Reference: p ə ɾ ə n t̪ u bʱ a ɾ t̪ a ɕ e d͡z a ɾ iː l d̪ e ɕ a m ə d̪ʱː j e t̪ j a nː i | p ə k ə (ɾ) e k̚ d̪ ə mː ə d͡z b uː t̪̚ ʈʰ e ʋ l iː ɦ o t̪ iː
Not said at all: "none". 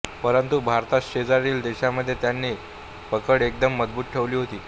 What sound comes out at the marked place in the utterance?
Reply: ɽ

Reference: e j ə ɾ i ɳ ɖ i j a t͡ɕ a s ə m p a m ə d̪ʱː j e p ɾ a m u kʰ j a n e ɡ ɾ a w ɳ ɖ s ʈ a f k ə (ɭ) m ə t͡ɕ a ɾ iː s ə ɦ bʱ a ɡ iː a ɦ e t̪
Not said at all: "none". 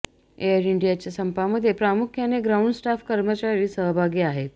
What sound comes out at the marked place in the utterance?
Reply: ɾ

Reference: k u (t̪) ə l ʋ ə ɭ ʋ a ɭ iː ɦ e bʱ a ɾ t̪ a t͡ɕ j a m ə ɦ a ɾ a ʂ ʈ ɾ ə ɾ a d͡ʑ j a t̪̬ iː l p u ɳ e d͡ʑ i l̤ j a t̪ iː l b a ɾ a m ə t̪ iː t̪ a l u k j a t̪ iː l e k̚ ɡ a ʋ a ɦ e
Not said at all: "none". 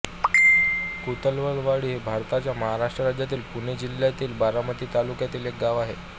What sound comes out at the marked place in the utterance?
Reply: t̪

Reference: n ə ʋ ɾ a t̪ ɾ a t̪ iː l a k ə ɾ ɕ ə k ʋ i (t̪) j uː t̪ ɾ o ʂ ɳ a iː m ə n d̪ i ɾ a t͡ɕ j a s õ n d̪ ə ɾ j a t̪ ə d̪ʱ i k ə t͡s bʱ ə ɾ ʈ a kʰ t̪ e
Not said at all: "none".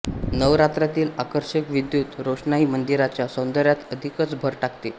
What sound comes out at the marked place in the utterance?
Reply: d̪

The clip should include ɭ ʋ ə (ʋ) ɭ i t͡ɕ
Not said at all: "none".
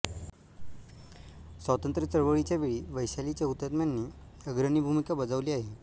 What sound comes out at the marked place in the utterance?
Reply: none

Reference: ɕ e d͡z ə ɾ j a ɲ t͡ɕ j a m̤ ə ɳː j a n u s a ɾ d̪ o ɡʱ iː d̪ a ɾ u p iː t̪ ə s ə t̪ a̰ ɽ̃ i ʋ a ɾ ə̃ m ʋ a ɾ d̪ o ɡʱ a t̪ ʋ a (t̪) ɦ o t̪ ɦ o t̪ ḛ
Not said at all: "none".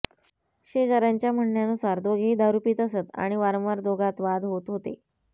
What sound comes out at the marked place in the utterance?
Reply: d̪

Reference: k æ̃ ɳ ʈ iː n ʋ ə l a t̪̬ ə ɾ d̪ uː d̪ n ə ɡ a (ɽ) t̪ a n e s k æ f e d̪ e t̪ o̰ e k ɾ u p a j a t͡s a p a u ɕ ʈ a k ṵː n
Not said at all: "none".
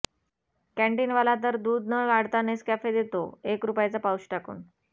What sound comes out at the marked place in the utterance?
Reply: ɽ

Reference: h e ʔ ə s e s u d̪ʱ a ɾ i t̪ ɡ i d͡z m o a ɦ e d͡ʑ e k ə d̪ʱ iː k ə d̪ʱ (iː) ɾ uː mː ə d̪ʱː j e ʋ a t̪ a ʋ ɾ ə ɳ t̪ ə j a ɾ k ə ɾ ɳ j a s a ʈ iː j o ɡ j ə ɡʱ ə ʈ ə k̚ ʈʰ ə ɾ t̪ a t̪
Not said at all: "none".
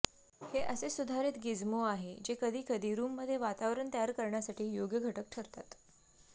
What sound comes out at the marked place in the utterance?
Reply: iː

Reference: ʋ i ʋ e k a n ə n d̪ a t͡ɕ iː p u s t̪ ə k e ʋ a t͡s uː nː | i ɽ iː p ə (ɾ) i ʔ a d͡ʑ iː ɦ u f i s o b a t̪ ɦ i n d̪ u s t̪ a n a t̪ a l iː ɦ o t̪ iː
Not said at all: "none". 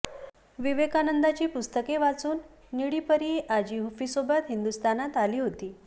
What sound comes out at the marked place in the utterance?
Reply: ɾ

